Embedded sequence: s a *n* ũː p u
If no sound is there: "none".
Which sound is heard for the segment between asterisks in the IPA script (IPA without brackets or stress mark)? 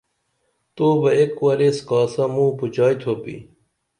m